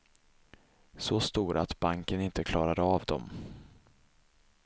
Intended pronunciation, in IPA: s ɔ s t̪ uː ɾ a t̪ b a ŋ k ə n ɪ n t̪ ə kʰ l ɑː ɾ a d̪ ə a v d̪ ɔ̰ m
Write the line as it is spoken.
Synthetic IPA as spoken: s ɔ s t̪ uː ɾ a t̪ b a ŋ k ə n ɪ n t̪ ə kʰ l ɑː ɾ a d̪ ə a v d̪ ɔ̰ m